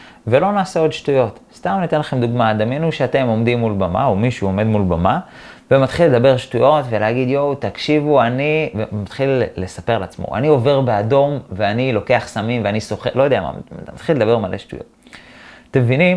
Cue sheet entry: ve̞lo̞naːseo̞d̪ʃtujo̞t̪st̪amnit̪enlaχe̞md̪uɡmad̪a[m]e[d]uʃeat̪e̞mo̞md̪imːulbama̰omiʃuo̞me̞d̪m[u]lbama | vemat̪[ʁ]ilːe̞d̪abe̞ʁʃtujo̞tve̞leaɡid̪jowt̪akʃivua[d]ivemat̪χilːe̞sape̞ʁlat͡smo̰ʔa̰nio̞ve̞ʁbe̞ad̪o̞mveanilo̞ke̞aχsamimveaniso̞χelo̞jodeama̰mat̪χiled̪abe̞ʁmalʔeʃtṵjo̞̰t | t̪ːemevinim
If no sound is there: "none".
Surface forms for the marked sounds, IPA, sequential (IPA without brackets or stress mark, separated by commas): m, n, u, χ, n